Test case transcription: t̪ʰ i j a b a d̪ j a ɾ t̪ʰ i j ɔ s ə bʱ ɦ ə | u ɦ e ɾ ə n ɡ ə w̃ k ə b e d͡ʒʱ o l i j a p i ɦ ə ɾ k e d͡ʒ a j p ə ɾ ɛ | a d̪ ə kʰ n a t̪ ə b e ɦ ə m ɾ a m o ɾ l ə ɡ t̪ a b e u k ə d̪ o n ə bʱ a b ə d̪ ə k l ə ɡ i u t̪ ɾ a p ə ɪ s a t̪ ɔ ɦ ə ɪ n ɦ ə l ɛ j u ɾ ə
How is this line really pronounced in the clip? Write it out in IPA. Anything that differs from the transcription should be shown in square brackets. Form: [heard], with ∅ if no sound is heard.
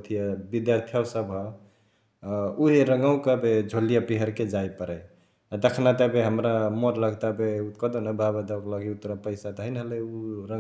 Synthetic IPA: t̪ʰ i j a b [i] d̪ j a ɾ t̪ʰ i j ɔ s ə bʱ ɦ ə | u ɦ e ɾ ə [ŋ] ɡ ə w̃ k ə b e d͡ʒʱ o l i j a p i ɦ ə ɾ k e d͡ʒ a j p ə ɾ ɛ | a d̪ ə kʰ n a t̪ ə b e ɦ ə m ɾ a m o ɾ l ə ɡ t̪ a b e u k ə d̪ o n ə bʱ a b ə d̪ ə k l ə ɡ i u t̪ ɾ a p ə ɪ s a t̪ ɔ ɦ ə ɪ n ɦ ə l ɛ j u ɾ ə